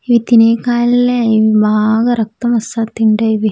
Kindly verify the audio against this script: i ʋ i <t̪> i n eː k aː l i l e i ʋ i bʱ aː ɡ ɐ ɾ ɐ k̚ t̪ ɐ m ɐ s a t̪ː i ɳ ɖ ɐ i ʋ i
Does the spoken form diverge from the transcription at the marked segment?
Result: no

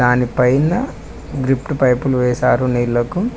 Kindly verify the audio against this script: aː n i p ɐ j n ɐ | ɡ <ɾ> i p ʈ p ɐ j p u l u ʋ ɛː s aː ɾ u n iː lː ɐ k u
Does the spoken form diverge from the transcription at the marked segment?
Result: no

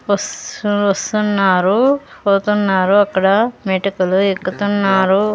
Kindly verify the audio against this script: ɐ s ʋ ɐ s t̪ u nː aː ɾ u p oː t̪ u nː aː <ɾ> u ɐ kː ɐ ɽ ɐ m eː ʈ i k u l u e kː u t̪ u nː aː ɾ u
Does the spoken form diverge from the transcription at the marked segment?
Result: no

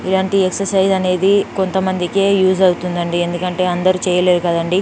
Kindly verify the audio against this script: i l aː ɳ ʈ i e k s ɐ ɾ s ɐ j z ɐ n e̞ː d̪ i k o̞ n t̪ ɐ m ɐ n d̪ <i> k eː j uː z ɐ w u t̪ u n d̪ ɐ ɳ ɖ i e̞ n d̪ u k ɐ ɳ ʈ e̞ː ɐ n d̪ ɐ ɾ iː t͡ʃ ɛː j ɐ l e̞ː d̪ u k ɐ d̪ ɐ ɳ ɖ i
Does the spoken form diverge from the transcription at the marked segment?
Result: no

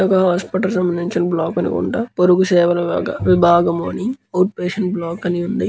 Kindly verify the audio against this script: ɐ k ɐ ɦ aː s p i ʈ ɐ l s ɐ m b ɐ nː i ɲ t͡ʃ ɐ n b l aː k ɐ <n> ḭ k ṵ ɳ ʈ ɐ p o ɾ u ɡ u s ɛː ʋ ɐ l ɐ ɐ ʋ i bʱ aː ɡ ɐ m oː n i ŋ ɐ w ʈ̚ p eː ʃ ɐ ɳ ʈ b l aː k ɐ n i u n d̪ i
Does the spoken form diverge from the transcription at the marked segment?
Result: no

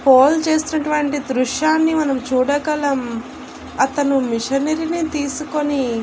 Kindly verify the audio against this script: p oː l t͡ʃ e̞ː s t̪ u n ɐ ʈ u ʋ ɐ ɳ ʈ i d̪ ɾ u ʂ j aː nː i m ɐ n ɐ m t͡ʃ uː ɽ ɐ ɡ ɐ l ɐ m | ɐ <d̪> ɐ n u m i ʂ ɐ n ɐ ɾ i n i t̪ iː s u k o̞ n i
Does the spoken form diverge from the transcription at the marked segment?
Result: yes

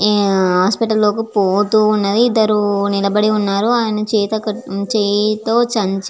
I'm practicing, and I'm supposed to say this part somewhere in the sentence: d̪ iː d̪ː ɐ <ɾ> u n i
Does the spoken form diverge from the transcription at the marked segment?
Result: no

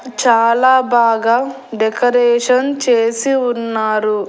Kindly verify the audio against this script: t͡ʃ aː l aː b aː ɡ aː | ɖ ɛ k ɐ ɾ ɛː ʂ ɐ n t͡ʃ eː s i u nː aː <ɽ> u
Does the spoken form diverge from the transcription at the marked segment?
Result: yes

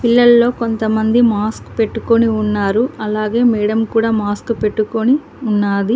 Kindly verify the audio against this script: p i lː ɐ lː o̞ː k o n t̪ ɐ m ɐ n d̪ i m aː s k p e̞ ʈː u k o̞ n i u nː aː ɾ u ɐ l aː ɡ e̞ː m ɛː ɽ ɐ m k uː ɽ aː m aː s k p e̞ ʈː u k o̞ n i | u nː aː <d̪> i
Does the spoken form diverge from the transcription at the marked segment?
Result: no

